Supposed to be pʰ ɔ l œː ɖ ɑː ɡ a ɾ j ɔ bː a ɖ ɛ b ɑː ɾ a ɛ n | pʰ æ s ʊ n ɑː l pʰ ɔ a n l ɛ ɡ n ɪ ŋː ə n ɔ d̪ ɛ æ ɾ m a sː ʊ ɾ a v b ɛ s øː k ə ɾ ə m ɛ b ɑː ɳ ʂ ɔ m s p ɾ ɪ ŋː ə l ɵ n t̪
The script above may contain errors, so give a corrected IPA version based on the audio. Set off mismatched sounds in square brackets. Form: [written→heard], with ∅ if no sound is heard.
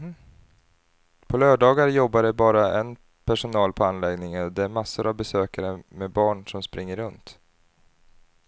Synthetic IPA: pʰ ɔ l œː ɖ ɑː ɡ a ɾ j ɔ bː a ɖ ɛ b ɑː ɾ a ɛ n | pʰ æ [s→ʂ] ʊ n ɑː l pʰ ɔ a n l ɛ ɡ n ɪ [ŋː→ŋ] ə n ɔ d̪ ɛ æ ɾ m a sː ʊ ɾ a v b ɛ s øː k [ə→a] ɾ ə m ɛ b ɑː ɳ ʂ ɔ m s p ɾ ɪ ŋː ə [l→ɾ] ɵ n t̪